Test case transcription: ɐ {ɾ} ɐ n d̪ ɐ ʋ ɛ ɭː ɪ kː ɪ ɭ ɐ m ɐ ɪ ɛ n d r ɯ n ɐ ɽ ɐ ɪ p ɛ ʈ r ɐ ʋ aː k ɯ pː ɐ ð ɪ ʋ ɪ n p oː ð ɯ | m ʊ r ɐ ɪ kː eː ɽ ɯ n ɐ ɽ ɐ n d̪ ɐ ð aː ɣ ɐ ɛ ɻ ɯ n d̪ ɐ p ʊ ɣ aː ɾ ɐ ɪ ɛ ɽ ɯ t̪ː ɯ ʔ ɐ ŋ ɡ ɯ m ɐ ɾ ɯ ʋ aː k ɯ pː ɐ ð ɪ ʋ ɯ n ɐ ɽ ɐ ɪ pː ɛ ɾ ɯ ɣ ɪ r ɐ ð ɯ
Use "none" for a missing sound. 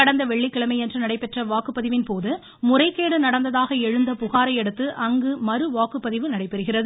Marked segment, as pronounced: ɽ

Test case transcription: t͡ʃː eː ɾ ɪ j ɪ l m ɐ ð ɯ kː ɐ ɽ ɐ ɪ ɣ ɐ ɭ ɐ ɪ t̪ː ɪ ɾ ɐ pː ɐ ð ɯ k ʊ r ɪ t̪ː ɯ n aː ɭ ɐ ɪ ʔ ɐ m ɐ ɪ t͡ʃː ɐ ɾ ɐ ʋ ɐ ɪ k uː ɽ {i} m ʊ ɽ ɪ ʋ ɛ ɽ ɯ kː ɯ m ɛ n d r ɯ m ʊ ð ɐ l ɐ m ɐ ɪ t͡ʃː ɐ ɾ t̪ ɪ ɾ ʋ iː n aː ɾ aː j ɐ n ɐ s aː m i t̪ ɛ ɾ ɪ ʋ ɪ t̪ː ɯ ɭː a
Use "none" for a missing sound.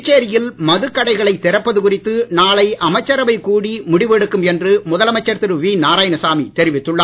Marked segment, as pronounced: i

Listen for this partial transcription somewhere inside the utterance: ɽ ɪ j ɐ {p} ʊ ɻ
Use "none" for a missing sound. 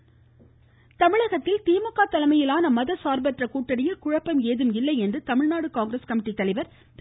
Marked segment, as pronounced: k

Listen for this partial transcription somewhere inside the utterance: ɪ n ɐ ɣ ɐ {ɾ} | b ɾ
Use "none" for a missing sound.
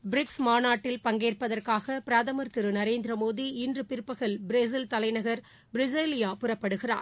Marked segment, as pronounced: ɾ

